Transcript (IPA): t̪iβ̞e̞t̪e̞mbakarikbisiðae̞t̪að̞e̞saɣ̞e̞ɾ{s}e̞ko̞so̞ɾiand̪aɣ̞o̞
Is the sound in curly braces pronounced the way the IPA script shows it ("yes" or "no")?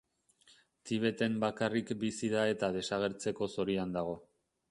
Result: no